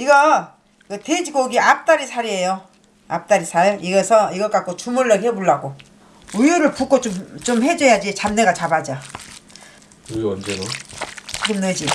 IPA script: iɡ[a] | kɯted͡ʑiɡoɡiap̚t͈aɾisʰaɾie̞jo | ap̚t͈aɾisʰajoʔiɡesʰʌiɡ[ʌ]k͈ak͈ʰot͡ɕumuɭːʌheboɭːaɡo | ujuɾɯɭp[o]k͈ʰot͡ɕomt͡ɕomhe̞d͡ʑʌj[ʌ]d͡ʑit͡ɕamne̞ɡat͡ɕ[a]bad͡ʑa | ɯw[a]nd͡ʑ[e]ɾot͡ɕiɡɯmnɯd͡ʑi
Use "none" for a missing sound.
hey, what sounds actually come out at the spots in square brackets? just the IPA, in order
ʌ, ʌ, u, a, a, ʌ, e

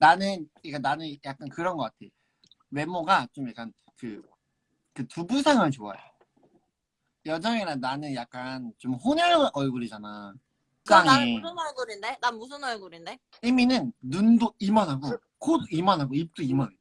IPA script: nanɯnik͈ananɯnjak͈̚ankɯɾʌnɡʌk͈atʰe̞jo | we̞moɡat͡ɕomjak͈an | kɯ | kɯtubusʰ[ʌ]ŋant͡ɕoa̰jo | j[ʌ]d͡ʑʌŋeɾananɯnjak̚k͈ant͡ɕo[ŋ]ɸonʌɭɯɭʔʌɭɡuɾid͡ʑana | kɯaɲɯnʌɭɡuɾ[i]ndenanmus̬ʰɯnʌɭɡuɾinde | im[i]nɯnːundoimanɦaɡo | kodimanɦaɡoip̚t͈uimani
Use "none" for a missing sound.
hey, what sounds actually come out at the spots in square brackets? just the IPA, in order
a, ʌ, m, i, i

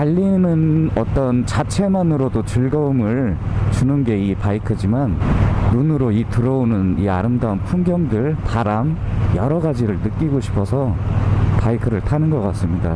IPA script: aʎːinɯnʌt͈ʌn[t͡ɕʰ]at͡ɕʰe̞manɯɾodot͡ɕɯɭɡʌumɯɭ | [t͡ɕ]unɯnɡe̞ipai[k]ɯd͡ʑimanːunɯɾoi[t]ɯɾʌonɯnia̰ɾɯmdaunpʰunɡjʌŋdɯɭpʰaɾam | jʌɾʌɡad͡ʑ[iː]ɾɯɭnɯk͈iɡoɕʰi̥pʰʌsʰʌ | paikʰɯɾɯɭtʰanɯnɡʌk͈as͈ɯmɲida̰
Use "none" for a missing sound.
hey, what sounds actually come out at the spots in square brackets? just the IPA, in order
t͡ɕ, t͡ɕ, kʰ, t, i

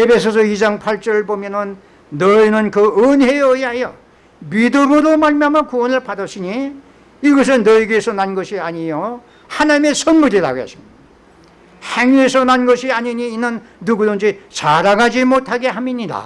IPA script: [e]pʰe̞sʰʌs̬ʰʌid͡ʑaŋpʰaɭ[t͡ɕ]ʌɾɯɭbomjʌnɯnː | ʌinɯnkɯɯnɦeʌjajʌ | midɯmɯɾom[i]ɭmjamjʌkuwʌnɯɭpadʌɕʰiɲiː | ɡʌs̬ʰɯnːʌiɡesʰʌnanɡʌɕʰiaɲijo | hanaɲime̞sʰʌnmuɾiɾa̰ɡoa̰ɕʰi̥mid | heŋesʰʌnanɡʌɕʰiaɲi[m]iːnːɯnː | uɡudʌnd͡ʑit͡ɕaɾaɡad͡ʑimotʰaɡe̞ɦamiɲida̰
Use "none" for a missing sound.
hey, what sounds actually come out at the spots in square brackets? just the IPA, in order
e, t͡ɕ, a, ɲ

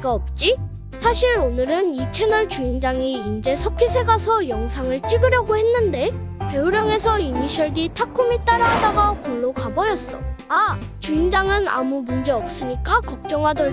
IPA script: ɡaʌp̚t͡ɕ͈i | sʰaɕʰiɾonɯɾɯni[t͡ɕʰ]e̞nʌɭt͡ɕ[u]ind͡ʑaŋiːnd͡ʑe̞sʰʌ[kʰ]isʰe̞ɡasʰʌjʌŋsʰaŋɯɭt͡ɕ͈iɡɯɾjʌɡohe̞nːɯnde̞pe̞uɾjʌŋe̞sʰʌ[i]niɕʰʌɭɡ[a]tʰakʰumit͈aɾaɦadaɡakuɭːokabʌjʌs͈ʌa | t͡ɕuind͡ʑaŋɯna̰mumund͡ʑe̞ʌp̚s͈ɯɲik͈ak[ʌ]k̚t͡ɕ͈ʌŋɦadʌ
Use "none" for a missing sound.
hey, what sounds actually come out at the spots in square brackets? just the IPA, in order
t͡ɕʰ, u, kʰ, i, i, ʌ

